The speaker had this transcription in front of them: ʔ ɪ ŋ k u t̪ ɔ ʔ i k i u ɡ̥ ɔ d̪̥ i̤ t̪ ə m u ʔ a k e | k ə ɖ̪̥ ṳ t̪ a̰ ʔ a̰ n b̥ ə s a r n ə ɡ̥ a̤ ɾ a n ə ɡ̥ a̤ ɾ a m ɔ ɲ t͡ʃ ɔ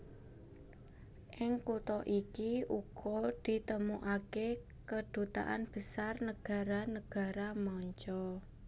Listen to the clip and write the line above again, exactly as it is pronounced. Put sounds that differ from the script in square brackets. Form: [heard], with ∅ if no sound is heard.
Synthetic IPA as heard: ʔ ɪ ŋ k u t̪ ɔ ʔ i k i u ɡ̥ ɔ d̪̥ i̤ t̪ ə m u ʔ a k e | k ə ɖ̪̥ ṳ t̪ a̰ ʔ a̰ n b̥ ə s a r n ə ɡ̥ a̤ ɾ a n ə ɡ̥ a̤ ɾ a m ɔ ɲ t͡ʃ ɔ